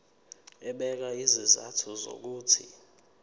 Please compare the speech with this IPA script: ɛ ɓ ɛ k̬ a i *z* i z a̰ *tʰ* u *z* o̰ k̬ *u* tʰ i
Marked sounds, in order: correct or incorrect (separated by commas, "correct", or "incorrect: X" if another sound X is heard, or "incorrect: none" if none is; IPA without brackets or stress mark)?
correct, correct, correct, incorrect: uː